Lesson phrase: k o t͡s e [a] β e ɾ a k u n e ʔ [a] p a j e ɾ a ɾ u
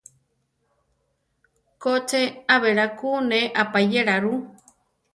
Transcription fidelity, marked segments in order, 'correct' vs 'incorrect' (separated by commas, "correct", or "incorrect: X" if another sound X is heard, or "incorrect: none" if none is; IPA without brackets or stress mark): correct, correct